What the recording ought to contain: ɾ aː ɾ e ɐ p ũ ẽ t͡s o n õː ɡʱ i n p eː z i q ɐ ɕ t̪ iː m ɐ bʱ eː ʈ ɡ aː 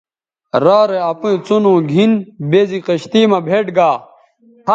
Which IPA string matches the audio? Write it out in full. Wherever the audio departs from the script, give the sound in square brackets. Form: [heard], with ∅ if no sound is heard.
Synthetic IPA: ɾ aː ɾ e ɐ p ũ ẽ t͡s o n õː ɡʱ i n [b] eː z i q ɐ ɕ t̪ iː m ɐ bʱ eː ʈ ɡ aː